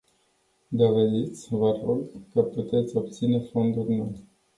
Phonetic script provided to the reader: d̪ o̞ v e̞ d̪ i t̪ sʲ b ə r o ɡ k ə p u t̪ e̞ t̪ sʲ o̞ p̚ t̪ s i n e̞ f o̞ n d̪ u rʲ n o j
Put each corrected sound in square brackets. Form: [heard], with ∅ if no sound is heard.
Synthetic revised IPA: d̪ o̞ v e̞ d̪ i t̪ sʲ [v] ə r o ɡ k ə p u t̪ e̞ t̪ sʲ o̞ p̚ t̪ s i n e̞ f o̞ n d̪ u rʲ n o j

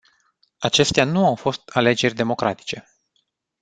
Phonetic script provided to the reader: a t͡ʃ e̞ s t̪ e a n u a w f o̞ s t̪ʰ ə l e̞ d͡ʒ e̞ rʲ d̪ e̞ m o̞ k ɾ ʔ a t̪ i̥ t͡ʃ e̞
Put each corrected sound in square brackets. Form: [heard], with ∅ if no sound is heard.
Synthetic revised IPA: a t͡ʃ e̞ s t̪ e a n u a w f o̞ s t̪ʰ [a] l e̞ d͡ʒ e̞ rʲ d̪ e̞ m o̞ k ɾ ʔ a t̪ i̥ t͡ʃ e̞

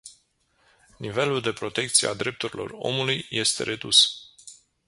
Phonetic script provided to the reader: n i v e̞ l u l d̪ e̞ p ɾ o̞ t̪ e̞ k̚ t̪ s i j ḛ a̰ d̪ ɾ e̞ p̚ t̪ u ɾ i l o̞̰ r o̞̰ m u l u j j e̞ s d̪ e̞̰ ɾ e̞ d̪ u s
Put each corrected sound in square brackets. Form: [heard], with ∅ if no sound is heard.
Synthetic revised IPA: n i v e̞ l u l d̪ e̞ p ɾ o̞ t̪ e̞ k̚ t̪ s i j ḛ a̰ d̪ ɾ e̞ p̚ t̪ u ɾ i l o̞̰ r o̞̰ m u l u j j e̞ s [t̪] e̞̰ ɾ e̞ d̪ u s

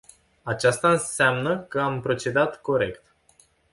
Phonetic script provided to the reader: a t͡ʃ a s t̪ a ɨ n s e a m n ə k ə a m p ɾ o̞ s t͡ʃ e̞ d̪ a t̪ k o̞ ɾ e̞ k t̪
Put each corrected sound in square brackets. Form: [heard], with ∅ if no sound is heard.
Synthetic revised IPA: a t͡ʃ a s t̪ a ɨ n s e a m n ə k ə a m p ɾ o̞ [∅] t͡ʃ e̞ d̪ a t̪ k o̞ ɾ e̞ k t̪

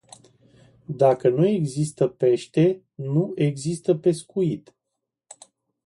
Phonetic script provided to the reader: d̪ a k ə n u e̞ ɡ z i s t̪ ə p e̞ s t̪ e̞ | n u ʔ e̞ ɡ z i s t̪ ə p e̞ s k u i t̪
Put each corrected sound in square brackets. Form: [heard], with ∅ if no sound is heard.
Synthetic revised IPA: d̪ a k ə n u e̞ ɡ z i s t̪ ə p e̞ [ʃ] t̪ e̞ | n u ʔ e̞ ɡ z i s t̪ ə p e̞ s k u i t̪

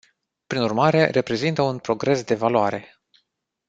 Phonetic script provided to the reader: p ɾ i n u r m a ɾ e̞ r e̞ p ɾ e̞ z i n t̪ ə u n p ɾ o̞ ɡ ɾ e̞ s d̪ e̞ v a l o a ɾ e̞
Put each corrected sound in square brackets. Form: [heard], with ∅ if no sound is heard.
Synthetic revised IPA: p ɾ i n u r m a ɾ e̞ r e̞ p ɾ e̞ z i n t̪ ə u n p ɾ o̞ ɡ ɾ e̞ s d̪ e̞ v a l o a ɾ e̞

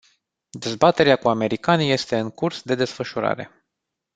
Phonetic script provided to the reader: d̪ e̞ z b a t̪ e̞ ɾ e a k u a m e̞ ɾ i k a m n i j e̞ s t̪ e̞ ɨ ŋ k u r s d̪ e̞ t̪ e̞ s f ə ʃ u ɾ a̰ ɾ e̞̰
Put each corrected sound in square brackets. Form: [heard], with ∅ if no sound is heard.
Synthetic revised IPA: d̪ e̞ z b a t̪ e̞ ɾ e a k u a m e̞ ɾ i k a [∅] n i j e̞ s t̪ e̞ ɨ ŋ k u r s d̪ e̞ [d̪] e̞ s f ə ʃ u ɾ a̰ ɾ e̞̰

